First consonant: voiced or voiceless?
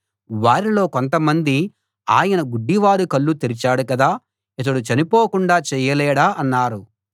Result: voiced